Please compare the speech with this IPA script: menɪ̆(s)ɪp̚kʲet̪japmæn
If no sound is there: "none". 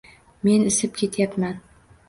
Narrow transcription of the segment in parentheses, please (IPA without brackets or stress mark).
s